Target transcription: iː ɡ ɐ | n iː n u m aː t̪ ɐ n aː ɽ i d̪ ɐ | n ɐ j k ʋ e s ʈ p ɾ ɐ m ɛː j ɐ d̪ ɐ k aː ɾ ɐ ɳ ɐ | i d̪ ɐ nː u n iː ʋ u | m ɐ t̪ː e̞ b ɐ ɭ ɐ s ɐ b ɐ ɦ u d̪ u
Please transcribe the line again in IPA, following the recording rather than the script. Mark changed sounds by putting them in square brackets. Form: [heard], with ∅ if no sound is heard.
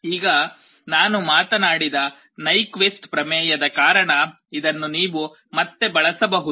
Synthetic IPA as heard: iː ɡ ɐ | n [aː] n u m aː t̪ ɐ n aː ɽ i d̪ ɐ | n ɐ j k ʋ e s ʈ p ɾ ɐ m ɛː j ɐ d̪ ɐ k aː ɾ ɐ ɳ ɐ | i d̪ ɐ nː u n iː ʋ u | m ɐ t̪ː e̞ b ɐ ɭ ɐ s ɐ b ɐ ɦ u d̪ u